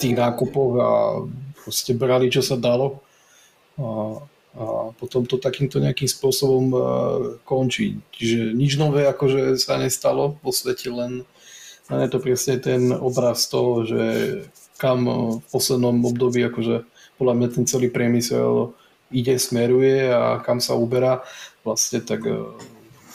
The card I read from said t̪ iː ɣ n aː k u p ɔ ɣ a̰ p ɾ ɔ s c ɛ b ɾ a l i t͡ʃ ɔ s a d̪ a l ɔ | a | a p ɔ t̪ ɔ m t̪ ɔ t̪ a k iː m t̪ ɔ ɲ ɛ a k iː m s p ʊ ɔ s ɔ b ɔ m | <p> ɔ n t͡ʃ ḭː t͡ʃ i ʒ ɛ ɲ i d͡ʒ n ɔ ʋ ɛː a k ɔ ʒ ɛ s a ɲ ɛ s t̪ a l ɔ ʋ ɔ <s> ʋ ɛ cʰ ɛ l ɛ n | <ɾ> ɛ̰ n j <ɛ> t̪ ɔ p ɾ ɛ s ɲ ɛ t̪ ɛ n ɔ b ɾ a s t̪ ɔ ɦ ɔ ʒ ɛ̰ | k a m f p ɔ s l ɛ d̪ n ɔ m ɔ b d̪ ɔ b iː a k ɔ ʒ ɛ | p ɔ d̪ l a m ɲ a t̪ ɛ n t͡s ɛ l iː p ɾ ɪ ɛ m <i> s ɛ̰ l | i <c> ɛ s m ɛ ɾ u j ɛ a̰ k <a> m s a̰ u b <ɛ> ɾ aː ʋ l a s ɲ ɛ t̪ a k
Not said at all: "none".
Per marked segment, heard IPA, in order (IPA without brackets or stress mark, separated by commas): k, s, l, ɛ, i, ɟ, a, ɛ